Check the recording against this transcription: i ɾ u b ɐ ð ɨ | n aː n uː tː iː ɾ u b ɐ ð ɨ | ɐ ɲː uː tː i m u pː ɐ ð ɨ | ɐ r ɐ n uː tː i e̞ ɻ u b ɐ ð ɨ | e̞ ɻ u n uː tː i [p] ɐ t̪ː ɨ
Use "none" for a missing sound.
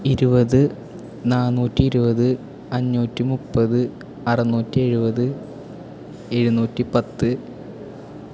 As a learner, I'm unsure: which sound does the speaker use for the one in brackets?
p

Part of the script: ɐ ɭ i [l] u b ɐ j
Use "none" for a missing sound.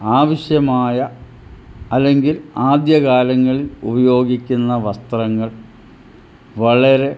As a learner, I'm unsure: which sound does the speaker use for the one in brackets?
l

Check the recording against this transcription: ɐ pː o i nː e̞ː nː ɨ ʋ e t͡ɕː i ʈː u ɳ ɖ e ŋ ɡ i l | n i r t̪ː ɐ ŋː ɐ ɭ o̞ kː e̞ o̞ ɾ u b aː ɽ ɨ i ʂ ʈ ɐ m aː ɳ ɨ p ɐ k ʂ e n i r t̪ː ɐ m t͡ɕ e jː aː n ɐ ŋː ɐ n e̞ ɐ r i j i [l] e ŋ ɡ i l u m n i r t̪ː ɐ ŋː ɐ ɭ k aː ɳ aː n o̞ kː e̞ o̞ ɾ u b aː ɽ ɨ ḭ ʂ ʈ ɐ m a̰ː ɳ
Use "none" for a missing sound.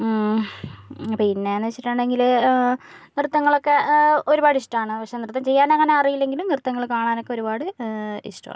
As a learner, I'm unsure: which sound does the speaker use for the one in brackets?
lː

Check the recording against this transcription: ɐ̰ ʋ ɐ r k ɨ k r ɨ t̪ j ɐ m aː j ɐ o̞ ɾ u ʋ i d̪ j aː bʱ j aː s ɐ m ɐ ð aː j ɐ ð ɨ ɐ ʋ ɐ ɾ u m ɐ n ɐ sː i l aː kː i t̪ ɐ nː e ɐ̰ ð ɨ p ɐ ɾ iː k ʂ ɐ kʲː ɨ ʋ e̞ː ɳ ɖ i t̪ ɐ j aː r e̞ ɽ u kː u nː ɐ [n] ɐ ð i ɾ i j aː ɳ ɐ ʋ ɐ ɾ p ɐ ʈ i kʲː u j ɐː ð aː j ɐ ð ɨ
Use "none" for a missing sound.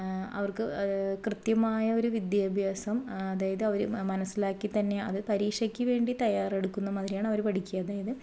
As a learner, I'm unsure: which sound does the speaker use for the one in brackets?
m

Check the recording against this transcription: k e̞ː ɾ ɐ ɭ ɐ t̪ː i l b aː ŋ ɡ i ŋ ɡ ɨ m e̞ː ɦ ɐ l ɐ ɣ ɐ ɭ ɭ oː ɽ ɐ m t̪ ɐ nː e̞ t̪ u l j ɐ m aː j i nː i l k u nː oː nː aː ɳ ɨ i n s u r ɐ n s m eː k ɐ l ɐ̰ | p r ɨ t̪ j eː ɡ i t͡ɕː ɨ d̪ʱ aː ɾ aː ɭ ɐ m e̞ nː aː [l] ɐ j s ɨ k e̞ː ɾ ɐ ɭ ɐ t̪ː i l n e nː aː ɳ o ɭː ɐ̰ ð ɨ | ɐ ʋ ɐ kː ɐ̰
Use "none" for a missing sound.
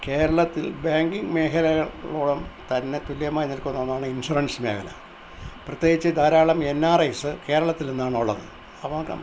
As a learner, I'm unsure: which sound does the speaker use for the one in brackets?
r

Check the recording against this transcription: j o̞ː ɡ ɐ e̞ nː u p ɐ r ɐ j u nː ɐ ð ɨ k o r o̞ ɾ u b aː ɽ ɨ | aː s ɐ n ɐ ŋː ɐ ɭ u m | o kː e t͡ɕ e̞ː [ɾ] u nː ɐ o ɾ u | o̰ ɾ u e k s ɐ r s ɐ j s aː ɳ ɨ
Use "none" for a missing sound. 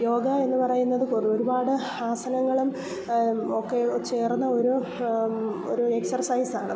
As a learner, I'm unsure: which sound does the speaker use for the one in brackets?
r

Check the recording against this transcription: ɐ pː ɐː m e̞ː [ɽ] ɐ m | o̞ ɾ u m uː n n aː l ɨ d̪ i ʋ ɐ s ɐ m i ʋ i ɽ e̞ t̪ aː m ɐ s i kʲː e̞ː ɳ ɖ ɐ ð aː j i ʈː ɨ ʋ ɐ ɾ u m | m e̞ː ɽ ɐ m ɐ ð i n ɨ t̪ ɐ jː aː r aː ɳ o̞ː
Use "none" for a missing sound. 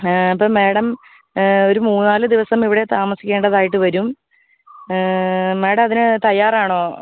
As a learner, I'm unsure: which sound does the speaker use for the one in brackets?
ɽ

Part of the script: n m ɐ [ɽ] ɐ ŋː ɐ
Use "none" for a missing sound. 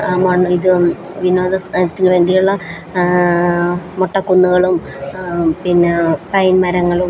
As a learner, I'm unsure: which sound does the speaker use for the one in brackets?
ɾ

